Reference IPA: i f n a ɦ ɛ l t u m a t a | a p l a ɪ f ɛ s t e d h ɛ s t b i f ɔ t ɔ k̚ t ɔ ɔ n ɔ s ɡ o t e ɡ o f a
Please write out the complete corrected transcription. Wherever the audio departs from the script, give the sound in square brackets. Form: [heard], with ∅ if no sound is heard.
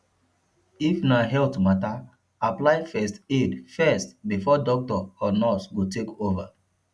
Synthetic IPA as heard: i f n a ɦ ɛ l t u m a t a | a p l a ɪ f ɛ s t e d [f] ɛ s t b i f ɔ [d] ɔ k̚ t ɔ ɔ n ɔ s ɡ o t e [k] o [v] a